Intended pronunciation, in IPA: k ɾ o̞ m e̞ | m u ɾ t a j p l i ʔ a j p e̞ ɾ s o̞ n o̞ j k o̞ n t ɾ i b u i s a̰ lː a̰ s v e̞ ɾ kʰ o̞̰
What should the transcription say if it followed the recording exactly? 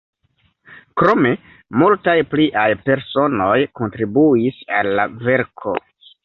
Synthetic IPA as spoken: k ɾ o̞ m e̞ | m u l t a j p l i ʔ a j p e̞ ɾ s o̞ n o̞ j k o̞ n t ɾ i b u i s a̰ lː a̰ v e̞ ɾ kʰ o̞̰